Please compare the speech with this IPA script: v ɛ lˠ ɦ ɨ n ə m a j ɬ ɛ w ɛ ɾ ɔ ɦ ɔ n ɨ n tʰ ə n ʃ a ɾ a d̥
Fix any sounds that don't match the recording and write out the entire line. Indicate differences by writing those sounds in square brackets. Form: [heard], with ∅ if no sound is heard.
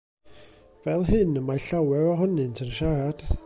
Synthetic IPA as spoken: v ɛ lˠ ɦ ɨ n ə m a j ɬ [a] w ɛ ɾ ɔ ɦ ɔ n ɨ n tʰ ə n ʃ a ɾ a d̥

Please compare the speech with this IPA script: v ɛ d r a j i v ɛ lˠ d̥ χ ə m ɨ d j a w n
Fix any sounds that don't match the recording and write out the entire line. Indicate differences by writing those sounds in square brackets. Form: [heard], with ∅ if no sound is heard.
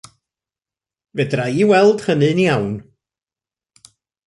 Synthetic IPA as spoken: v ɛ d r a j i [w] ɛ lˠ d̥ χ ə [n] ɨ [n] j a w n

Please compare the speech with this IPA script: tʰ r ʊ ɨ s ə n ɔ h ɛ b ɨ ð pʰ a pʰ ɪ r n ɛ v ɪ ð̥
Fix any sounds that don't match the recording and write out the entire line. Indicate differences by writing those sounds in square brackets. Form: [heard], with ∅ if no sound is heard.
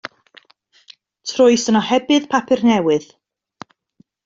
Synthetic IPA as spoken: tʰ r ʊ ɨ s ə n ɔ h ɛ b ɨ ð pʰ a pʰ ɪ r n ɛ [w] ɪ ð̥

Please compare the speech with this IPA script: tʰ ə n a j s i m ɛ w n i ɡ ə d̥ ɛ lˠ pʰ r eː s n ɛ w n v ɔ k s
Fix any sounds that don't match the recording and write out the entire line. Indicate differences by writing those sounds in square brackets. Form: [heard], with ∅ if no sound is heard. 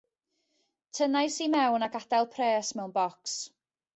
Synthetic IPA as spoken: tʰ ə n a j s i m ɛ w n [a] ɡ [a] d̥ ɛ lˠ pʰ r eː s [m] ɛ w n [b] ɔ k s

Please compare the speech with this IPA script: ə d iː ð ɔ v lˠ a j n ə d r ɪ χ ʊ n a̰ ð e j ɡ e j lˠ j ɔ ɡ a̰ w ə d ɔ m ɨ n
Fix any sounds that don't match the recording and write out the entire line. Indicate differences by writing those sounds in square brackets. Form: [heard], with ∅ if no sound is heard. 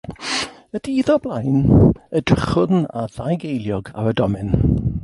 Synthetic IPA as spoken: ə d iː ð ɔ [b] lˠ a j n ə d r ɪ χ ʊ n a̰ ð [a] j ɡ e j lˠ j ɔ ɡ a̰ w ə d ɔ m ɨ n

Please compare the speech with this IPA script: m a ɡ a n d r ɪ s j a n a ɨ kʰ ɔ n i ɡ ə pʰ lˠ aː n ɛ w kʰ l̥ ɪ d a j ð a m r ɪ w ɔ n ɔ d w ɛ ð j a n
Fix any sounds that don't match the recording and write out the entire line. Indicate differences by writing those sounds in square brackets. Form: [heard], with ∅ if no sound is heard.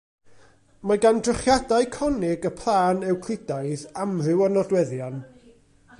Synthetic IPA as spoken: m a ɡ a n d r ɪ [χ] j a [d] a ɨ kʰ ɔ n [ɪ] ɡ ə pʰ lˠ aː n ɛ w kʰ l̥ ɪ d a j ð a m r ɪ w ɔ n ɔ d w ɛ ð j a n

